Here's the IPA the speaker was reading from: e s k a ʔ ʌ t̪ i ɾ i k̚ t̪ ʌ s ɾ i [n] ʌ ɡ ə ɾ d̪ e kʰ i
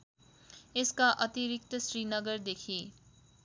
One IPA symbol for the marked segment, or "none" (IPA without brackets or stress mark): n